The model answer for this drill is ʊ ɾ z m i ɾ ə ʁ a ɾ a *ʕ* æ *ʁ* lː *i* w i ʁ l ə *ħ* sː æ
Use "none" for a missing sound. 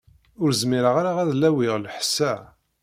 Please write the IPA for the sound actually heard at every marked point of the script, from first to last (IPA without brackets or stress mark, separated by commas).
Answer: ʁ, ð, æ, ħ